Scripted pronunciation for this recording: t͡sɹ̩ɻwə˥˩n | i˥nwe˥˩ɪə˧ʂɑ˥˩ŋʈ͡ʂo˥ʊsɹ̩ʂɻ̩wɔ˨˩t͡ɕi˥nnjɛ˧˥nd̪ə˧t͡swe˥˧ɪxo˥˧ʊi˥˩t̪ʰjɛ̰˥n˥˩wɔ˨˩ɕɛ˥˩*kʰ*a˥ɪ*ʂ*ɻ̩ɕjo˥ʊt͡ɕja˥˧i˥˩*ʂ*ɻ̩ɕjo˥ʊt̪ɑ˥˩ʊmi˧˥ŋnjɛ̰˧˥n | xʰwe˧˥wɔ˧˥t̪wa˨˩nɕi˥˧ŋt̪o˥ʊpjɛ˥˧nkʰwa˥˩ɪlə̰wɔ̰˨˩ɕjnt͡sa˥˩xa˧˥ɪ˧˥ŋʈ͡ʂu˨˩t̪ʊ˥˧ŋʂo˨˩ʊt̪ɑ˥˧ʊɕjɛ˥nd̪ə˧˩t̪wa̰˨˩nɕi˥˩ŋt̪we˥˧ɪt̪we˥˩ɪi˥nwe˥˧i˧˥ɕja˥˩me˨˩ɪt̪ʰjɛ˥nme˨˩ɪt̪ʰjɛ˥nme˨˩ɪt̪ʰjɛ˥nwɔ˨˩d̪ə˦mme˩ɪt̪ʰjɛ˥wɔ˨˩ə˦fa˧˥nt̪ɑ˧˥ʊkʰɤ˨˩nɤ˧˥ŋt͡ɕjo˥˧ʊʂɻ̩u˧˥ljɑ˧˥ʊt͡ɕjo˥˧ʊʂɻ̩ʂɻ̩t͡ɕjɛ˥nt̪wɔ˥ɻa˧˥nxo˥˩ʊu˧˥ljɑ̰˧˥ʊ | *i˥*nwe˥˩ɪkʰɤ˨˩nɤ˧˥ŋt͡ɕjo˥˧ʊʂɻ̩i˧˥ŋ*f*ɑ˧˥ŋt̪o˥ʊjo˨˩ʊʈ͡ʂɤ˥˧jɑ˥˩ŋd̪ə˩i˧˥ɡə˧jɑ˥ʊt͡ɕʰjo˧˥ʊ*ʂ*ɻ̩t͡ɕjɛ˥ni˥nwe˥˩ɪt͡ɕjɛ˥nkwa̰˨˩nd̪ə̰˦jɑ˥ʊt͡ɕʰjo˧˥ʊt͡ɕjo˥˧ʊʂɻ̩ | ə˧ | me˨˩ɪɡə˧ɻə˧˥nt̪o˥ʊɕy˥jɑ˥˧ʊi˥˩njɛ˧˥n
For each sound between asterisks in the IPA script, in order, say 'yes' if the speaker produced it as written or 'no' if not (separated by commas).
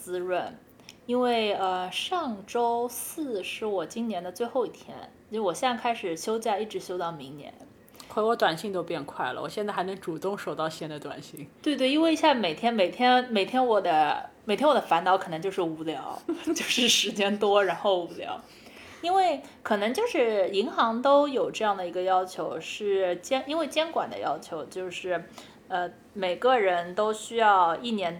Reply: yes, yes, no, yes, no, yes